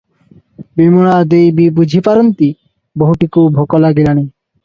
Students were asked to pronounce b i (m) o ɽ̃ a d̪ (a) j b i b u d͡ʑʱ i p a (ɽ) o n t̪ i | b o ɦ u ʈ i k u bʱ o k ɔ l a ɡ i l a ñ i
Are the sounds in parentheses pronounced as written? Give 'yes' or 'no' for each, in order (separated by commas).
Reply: yes, no, no